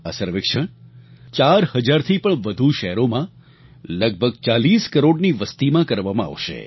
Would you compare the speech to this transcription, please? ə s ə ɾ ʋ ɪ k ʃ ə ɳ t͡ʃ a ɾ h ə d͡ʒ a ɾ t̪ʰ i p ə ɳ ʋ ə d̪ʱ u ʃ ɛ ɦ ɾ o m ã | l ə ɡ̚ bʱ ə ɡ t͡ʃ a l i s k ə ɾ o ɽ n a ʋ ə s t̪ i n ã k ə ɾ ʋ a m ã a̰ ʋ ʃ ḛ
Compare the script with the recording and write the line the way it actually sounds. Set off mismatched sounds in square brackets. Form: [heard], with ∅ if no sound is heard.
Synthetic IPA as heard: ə s ə ɾ ʋ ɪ k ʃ ə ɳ t͡ʃ a ɾ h ə d͡ʒ a ɾ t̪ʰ i p ə ɳ ʋ ə d̪ʱ u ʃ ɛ ɦ ɾ o m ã | l ə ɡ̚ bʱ ə ɡ t͡ʃ a l i s k ə ɾ o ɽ n [i] ʋ ə s t̪ i [m] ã k ə ɾ ʋ a m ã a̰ ʋ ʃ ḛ